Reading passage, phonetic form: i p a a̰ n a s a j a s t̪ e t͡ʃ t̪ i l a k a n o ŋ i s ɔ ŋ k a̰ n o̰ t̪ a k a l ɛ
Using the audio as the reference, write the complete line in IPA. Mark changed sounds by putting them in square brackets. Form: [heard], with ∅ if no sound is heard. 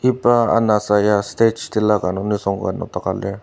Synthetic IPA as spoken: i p a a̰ n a s a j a s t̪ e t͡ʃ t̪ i l a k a n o [n] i s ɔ ŋ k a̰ n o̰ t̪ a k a l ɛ